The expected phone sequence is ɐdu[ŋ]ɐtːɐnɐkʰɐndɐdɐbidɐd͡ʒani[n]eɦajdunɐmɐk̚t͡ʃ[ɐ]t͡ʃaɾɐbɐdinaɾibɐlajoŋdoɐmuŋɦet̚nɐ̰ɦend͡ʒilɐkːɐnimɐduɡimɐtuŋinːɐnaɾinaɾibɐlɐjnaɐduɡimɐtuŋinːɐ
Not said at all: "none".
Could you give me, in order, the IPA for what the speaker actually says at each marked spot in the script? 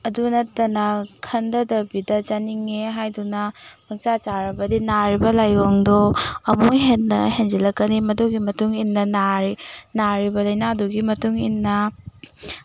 n, ŋ, a

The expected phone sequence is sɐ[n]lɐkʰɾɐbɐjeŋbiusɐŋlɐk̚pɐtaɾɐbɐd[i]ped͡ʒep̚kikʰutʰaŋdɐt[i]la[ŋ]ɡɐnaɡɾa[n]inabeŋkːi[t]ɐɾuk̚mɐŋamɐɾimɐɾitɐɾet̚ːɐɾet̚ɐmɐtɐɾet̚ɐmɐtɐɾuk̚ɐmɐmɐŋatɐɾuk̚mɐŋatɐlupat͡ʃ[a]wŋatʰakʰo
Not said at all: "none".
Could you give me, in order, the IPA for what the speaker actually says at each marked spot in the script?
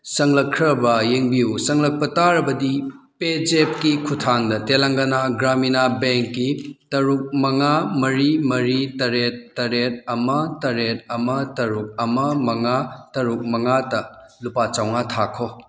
ŋ, i, e, ŋ, m, t, a

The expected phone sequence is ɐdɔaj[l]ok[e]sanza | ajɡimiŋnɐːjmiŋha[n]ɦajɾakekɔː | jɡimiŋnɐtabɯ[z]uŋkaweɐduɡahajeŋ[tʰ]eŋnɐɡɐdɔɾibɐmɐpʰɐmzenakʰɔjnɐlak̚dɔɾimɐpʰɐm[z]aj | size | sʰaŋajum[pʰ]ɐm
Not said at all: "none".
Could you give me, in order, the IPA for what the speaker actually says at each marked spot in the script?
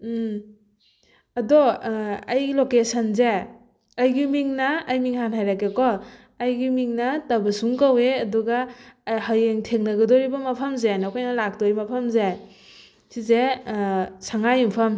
l, e, n, s, tʰ, z, pʰ

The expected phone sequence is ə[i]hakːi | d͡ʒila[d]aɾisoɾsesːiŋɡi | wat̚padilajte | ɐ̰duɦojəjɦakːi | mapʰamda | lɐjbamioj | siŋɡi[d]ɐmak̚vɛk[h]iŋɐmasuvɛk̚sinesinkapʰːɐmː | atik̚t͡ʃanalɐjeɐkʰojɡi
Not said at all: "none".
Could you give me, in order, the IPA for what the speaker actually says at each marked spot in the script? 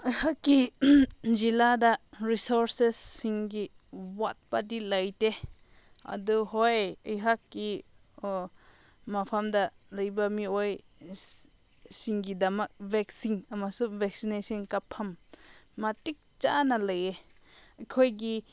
j, d, d, s

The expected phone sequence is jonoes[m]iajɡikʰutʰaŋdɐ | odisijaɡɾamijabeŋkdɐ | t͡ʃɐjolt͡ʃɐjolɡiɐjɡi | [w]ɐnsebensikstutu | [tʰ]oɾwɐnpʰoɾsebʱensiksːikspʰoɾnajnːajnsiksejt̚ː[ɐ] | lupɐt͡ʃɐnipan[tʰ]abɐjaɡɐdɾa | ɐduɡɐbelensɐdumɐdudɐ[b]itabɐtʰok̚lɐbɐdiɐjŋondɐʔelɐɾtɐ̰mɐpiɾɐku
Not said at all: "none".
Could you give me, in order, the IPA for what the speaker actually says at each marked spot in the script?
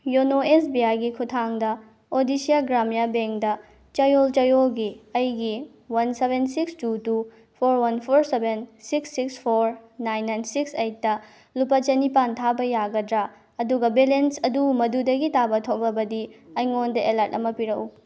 b, w, pʰ, ɐ, tʰ, ɡ

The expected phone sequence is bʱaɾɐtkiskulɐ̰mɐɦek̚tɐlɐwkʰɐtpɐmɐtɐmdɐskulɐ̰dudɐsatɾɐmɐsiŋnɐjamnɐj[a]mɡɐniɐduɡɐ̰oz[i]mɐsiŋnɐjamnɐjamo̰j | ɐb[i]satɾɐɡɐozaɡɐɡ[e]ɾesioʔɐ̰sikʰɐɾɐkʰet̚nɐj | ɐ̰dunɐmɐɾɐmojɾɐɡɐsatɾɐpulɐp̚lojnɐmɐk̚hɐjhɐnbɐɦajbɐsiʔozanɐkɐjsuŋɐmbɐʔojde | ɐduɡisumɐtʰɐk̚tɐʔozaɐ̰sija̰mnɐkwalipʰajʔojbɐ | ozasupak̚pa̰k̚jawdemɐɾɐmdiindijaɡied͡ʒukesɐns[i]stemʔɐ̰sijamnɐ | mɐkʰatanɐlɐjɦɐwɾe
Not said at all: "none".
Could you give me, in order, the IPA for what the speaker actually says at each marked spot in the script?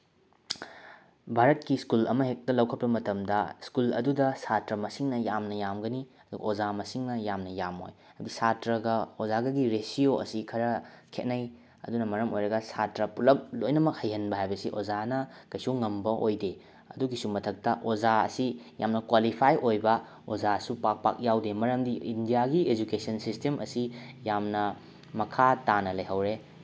a, a, i, i, i

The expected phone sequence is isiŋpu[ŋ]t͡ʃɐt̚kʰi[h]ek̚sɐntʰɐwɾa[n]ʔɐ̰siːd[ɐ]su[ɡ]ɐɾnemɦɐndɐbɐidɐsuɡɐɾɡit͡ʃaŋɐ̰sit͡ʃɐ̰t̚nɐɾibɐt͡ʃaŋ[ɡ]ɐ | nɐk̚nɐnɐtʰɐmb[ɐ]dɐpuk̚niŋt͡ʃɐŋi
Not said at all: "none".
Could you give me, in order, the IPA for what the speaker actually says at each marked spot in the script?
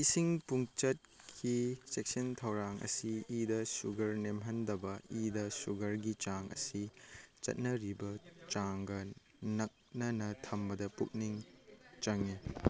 ŋ, s, ŋ, ɐ, ɡ, ɡ, ɐ

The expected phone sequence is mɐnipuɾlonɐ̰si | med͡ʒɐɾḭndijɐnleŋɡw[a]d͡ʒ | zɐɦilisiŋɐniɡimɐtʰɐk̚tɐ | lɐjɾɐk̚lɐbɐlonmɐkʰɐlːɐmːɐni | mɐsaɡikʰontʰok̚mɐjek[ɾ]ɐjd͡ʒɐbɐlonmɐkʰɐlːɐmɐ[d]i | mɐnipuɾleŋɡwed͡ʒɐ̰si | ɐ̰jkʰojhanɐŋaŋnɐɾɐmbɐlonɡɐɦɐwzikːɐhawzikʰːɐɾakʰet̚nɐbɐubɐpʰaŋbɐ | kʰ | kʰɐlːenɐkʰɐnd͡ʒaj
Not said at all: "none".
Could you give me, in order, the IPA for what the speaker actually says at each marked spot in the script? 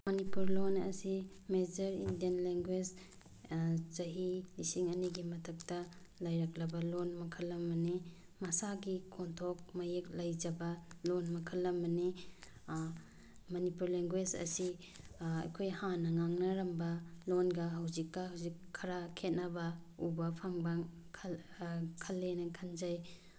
e, l, n

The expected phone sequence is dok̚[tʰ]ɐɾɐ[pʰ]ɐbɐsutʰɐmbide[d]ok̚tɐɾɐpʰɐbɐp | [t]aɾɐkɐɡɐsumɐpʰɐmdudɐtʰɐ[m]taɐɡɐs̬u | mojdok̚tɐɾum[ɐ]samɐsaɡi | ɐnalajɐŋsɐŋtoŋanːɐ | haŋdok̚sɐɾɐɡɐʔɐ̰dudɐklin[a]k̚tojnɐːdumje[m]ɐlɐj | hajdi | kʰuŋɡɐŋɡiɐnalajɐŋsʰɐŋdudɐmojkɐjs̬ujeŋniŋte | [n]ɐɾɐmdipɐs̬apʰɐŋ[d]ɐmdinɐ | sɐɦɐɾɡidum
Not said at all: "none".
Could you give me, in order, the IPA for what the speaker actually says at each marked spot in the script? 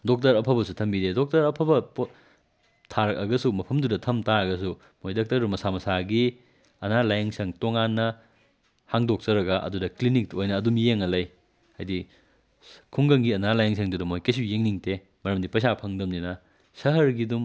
t, pʰ, d, tʰ, m, ɐ, i, ŋ, m, d

